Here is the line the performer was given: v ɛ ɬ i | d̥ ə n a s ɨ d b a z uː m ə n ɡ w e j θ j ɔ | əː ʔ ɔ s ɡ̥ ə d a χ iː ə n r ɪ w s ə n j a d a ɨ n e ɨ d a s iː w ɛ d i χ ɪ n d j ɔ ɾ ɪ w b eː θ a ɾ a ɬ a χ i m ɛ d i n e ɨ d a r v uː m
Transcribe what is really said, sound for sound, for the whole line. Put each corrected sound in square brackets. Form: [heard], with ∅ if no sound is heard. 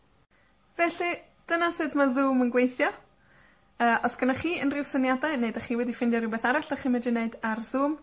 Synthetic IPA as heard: v ɛ ɬ i | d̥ ə n a s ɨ d [m] a z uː m ə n ɡ w e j θ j ɔ | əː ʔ ɔ s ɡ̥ ə [n] a χ iː ə n r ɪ w s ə n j a d a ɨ n e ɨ d a [χ] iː w ɛ d i [f] ɪ n d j ɔ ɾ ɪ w b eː θ a ɾ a ɬ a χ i m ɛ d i n e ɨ d a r [z] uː m